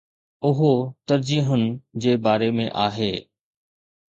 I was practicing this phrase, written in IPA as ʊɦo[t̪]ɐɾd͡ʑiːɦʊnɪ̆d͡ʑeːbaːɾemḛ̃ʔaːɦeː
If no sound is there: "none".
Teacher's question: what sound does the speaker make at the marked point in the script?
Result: t̪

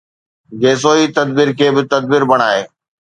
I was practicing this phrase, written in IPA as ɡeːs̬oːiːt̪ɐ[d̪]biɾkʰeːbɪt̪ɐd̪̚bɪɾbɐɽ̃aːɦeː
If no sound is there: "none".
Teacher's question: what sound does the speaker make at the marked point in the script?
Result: d̪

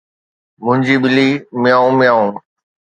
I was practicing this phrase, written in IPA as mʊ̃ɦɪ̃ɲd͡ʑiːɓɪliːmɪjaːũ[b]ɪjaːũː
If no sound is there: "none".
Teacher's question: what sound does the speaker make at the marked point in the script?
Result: m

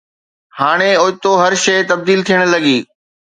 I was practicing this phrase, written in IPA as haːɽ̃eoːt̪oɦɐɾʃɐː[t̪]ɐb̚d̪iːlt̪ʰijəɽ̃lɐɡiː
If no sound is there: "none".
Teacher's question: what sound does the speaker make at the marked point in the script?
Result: t̪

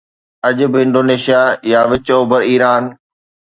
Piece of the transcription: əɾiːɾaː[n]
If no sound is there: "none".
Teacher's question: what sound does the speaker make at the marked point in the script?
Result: n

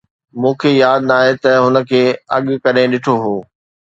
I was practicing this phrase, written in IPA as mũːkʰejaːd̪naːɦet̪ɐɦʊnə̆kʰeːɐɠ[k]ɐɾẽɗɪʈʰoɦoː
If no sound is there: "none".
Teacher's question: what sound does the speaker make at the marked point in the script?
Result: k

